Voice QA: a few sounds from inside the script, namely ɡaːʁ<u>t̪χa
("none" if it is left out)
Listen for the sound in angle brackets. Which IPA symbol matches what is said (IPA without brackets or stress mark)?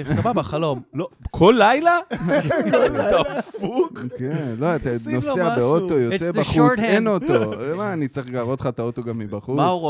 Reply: o